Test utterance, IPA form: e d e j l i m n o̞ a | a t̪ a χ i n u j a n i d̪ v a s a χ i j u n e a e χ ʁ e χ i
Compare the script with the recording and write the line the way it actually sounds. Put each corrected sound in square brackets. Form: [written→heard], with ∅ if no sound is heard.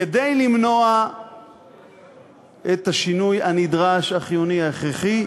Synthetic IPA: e d e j l i m n o̞ a | [a→e] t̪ a [χ→ʃ] i n u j a n i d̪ [v→ʁ] a [s→ʃ] a χ i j u n [e→i] a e χ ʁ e χ i